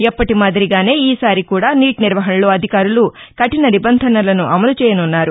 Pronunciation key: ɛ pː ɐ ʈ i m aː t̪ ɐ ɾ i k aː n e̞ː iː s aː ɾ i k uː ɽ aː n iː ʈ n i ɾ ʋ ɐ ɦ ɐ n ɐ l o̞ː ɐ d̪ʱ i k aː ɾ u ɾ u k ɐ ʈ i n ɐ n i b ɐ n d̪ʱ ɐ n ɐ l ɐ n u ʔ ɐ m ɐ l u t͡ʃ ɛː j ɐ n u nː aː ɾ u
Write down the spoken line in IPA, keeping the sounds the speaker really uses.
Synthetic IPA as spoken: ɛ pː ɐ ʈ i m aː d̪ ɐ ɾ i ɡ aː n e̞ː iː s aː ɾ i k uː ɽ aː n iː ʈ n i ɾ ʋ ɐ ɦ ɐ n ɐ l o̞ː ɐ d̪ʱ i k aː ɾ u l u k ɐ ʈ i n ɐ n i b ɐ n d̪ʱ ɐ n ɐ l ɐ n u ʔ ɐ m ɐ l u t͡ʃ ɛː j ɐ n u nː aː ɾ u